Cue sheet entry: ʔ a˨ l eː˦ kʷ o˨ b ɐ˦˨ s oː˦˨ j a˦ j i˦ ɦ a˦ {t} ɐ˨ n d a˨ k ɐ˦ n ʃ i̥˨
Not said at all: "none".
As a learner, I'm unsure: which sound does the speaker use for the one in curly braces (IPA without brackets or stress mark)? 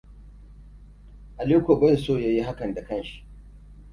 k